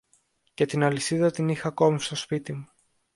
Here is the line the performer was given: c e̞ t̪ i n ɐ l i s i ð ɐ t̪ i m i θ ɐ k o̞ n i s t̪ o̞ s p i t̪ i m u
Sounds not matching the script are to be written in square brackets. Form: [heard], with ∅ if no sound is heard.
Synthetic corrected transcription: c e̞ t̪ i n ɐ l i s i ð ɐ t̪ i [n] i [x] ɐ k o̞ [m] i s t̪ o̞ s p i t̪ i m u